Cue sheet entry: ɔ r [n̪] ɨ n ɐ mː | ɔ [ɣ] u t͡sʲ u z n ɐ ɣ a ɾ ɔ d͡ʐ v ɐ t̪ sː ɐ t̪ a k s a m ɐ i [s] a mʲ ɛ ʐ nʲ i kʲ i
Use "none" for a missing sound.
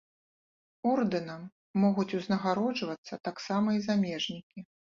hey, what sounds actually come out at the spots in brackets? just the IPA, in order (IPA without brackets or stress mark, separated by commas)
d̪, ɣ, z